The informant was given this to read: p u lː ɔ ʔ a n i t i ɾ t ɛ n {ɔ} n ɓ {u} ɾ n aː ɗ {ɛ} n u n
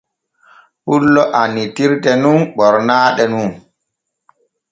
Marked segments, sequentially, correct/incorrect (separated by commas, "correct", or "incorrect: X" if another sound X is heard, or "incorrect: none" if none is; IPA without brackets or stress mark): incorrect: u, incorrect: ɔ, correct